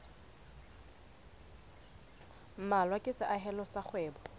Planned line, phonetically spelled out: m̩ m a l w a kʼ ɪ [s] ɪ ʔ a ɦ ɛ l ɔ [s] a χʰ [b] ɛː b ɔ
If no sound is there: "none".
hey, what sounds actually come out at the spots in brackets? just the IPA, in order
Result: s, s, w

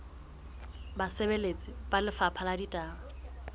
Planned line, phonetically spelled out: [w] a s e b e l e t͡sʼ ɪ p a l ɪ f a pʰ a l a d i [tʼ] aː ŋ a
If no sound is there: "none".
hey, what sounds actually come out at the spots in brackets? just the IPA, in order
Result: b, tʼ

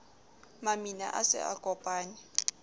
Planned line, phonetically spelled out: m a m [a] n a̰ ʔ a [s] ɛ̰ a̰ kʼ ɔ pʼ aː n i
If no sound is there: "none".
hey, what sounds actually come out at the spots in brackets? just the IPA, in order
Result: i, s

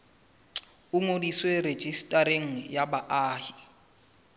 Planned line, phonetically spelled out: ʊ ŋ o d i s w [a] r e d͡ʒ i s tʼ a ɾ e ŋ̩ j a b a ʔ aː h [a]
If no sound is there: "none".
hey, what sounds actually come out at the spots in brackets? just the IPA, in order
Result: e, i

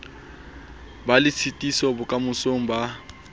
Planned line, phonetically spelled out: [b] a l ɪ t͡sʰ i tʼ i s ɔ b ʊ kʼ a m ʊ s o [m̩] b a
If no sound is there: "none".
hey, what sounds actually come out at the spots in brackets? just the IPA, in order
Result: b, ŋ̩

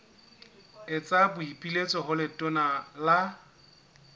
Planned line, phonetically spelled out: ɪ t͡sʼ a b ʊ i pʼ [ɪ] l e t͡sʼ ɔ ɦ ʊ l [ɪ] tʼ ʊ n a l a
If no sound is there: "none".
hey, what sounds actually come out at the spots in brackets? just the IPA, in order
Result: i, ɪ

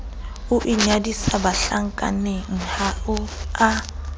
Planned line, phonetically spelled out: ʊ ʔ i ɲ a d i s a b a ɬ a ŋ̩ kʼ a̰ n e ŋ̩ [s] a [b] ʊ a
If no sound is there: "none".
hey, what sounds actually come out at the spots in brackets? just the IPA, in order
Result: h, none

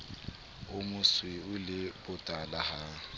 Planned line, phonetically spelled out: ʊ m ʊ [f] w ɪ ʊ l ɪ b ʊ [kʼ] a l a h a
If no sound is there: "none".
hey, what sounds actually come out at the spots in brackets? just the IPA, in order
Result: s, tʼ

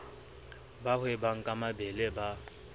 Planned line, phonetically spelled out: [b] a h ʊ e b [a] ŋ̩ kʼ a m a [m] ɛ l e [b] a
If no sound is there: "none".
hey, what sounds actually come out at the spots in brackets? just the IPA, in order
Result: b, a, b, b

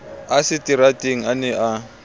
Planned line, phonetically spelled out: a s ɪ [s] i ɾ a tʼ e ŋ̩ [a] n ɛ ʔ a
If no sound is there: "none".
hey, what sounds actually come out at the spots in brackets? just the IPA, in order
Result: t, a

